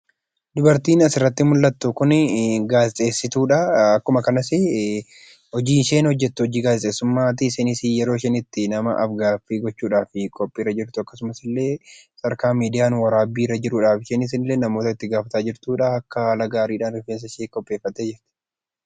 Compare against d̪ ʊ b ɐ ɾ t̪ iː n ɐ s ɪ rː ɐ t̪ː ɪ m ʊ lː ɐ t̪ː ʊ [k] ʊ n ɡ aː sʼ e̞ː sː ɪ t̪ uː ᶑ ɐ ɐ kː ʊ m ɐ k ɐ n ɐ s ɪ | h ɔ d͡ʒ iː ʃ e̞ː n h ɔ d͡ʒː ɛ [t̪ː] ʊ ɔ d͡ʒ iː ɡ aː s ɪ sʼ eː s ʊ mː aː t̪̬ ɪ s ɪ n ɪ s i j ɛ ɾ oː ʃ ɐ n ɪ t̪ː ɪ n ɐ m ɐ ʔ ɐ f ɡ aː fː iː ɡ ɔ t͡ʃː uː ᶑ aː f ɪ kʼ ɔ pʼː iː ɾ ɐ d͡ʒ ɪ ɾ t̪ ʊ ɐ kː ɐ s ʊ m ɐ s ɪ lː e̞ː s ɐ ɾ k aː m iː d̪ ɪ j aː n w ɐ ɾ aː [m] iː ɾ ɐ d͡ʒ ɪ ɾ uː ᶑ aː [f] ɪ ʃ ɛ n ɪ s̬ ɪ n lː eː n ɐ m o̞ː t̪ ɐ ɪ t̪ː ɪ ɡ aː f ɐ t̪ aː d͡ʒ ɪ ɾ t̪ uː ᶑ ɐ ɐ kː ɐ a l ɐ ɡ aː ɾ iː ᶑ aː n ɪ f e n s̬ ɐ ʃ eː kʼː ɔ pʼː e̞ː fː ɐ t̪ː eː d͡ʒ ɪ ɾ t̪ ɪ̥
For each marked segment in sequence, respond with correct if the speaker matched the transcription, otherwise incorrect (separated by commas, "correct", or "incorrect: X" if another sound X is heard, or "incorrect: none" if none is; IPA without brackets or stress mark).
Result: correct, correct, incorrect: b, correct